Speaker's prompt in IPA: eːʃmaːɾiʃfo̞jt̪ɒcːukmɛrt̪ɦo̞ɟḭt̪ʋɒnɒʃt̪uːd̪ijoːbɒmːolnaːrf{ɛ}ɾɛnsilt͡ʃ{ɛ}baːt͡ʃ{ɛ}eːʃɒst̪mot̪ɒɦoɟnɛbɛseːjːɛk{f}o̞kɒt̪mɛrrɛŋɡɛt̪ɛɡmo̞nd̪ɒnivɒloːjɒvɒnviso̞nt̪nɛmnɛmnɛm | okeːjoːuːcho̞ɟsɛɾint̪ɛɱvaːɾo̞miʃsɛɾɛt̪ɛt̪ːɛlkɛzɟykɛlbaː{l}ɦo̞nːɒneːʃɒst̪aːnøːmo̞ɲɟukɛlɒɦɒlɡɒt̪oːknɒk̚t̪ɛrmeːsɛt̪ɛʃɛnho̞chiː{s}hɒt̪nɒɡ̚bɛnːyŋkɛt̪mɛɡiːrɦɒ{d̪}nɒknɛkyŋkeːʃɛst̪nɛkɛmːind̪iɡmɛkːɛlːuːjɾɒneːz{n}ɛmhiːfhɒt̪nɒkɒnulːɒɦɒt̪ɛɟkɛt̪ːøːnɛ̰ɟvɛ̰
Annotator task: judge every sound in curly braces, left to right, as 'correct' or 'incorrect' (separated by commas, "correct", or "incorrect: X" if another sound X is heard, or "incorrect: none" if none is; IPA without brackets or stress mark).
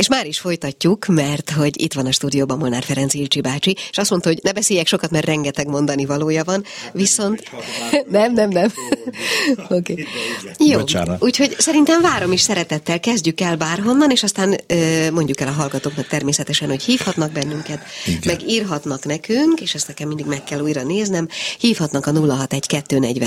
correct, incorrect: i, incorrect: i, incorrect: ʃ, incorrect: r, incorrect: f, incorrect: t̪, correct